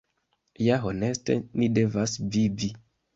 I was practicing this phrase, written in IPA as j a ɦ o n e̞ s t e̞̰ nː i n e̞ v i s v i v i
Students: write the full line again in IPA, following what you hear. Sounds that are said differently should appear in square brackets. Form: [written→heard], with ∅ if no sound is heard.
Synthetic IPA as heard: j a ɦ o n e̞ s t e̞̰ [nː→n] i [n→d] e̞ v [i→a] s v i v i